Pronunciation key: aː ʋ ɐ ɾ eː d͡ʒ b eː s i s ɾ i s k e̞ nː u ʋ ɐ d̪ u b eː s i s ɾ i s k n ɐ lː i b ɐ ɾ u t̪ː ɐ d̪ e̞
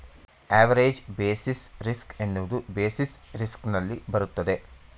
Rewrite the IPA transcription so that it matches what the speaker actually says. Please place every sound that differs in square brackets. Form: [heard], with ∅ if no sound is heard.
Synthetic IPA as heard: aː ʋ ɐ ɾ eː d͡ʒ b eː s i s ɾ i s k e̞ nː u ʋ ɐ d̪ u b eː s i s ɾ i s k n ɐ lː i b ɐ ɾ u t̪ː ɐ d̪ e̞